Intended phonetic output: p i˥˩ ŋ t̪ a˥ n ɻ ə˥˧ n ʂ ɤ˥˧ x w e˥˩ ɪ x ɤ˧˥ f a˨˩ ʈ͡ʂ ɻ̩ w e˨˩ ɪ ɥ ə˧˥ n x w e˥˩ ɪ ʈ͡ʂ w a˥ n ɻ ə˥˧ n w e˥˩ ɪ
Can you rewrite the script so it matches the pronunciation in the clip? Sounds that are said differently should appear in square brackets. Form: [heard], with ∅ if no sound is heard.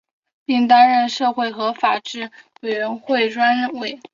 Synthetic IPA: p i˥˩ ŋ t̪ a˥ n ɻ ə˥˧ n ʂ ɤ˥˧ x w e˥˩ ɪ x ɤ˧˥ f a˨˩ ʈ͡ʂ ɻ̩ w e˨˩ ɪ ɥ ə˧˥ n x w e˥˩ ɪ ʈ͡ʂ w a˥ n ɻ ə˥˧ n w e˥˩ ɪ